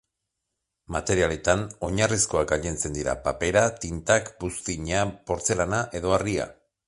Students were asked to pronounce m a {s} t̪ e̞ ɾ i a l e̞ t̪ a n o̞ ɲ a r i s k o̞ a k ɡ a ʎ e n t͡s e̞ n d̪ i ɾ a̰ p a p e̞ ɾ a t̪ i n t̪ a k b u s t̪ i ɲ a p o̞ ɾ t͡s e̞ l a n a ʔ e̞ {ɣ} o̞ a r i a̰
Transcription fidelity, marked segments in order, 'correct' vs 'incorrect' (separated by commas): incorrect, incorrect